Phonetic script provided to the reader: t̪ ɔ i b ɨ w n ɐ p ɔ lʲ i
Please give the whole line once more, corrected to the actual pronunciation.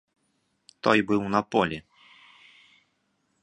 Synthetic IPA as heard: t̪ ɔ j b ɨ w n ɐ p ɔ lʲ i